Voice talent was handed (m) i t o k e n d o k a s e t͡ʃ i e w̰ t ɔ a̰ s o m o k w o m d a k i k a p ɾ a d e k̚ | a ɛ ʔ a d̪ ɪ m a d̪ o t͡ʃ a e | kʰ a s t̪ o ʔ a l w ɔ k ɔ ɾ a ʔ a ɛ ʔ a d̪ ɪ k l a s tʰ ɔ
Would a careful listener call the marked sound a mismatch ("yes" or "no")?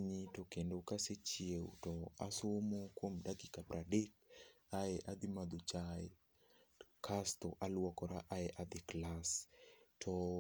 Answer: yes